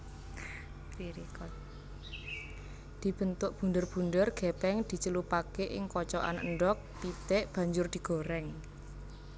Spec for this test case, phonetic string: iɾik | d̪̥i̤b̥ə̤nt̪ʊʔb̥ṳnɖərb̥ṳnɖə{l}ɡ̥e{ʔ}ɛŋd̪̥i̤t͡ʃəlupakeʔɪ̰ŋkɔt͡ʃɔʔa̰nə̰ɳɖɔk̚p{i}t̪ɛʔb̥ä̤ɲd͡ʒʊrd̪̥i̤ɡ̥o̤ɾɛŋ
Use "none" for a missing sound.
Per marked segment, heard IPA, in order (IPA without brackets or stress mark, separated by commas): r, p, i